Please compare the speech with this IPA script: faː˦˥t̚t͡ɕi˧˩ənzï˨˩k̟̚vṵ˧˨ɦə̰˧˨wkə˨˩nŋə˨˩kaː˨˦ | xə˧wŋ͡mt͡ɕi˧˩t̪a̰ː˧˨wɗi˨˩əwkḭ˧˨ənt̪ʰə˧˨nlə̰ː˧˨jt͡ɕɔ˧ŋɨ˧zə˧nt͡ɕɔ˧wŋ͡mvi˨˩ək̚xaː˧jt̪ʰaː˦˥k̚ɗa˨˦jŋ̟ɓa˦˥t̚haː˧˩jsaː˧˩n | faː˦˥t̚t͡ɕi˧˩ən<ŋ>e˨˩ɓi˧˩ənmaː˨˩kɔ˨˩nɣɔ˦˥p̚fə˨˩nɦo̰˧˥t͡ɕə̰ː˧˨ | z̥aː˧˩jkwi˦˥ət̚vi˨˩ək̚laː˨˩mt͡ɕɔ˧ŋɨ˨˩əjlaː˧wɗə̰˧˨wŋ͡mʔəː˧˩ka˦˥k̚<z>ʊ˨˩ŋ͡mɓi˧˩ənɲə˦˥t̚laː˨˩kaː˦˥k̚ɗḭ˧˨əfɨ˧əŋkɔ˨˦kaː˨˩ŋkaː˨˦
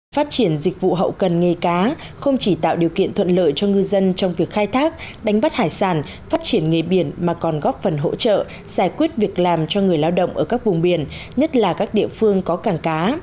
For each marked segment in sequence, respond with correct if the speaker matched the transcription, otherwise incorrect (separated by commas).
correct, incorrect